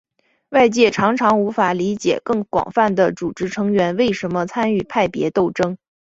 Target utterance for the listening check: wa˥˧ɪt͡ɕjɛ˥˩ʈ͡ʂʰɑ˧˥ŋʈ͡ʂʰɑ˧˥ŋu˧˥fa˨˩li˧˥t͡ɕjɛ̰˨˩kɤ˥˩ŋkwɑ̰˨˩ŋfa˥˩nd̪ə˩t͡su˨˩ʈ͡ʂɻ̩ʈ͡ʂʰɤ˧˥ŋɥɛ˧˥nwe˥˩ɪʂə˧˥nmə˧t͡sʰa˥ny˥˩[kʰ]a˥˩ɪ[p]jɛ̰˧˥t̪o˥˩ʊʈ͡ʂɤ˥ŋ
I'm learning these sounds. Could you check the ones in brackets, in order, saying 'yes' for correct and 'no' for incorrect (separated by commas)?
no, yes